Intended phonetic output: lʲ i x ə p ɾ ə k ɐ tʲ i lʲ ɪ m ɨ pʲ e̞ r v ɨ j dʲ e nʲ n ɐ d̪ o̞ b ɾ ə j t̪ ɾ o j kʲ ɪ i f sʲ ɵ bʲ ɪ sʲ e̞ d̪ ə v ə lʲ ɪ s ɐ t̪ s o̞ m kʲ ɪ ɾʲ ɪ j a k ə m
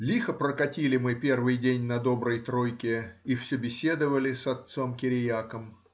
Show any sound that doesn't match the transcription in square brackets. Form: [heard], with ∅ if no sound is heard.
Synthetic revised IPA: lʲ i x ə p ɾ ə k ɐ tʲ i lʲ ɪ m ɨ pʲ e̞ r v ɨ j dʲ e nʲ n ɐ d̪ o̞ b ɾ ə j t̪ ɾ o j kʲ ɪ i f sʲ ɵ bʲ ɪ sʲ e̞ d̪ ə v ə lʲ ɪ s ɐ t̪ s o̞ m kʲ ɪ ɾʲ ɪ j a k ə m